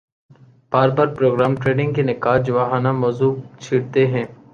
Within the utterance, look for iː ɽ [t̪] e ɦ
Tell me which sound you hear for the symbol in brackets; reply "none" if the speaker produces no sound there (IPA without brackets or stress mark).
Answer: t̪